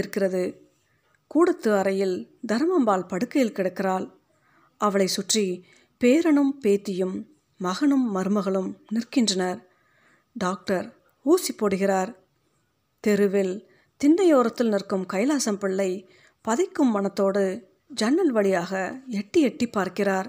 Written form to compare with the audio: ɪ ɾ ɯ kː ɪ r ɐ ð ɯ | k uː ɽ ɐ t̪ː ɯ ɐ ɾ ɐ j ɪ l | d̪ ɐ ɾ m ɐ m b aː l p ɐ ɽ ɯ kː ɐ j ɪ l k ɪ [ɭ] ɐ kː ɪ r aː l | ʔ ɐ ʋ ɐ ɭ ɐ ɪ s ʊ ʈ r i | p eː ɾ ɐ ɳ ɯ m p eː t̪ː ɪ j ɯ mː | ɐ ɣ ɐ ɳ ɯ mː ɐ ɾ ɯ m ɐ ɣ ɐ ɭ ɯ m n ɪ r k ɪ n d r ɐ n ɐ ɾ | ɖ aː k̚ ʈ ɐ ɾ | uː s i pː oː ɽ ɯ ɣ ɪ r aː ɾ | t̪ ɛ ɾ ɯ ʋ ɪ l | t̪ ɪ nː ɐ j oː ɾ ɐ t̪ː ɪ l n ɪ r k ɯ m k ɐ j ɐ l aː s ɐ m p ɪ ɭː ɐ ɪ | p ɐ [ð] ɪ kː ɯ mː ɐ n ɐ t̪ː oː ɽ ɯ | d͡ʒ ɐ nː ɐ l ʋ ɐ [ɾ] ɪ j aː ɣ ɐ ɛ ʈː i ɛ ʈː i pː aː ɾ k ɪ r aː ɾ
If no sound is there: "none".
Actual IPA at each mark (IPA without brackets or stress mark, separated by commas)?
ɽ, ð, ɭ